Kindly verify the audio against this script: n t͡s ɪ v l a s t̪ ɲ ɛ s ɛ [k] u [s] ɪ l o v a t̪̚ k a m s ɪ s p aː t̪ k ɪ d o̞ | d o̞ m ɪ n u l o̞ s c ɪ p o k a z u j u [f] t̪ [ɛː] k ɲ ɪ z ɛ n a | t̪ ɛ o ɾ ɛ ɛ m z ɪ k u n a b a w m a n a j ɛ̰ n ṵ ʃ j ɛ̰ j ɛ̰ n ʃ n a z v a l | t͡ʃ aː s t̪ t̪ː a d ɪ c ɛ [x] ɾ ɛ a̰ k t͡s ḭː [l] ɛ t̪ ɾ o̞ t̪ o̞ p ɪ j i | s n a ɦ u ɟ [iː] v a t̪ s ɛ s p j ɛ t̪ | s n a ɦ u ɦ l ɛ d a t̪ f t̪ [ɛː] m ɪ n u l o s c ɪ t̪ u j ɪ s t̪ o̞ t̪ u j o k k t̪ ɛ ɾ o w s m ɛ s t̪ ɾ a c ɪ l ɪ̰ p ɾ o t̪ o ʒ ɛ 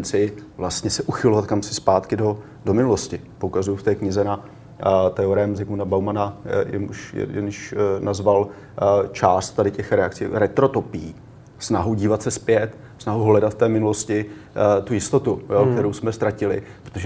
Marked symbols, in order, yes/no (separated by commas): no, no, yes, yes, yes, no, yes, yes